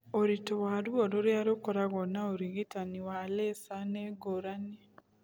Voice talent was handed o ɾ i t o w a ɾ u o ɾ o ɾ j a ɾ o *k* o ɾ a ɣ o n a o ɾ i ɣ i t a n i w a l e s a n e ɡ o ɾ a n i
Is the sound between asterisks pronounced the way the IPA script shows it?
yes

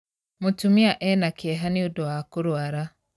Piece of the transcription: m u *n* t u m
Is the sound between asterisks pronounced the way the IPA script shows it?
no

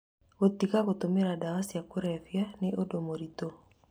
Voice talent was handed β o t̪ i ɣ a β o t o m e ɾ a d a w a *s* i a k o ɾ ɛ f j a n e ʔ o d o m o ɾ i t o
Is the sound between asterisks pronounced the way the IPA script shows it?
yes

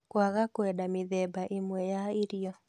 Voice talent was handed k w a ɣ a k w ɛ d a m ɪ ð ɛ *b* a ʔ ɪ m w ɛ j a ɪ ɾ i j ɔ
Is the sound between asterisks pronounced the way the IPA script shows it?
yes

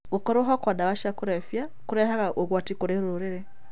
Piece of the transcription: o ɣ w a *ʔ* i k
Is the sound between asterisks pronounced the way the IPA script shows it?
no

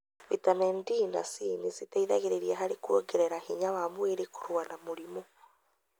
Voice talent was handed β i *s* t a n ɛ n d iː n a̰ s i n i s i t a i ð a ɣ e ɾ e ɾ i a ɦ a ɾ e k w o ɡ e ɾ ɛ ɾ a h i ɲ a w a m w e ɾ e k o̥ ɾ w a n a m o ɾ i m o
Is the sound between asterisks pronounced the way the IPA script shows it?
no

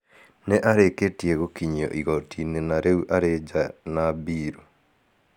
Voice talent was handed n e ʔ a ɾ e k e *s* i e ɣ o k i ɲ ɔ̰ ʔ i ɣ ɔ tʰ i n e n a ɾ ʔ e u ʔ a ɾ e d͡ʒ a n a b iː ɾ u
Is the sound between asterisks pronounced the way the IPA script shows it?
no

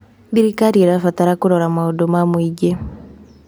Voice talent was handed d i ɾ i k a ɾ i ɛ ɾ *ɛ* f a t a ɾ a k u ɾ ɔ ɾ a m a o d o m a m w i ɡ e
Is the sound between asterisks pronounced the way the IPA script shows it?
no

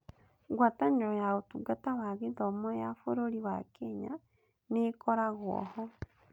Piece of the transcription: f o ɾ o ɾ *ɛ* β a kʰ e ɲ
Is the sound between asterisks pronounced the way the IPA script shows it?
no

